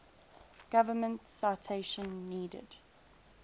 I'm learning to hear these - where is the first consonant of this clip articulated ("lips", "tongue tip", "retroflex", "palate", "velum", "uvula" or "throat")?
velum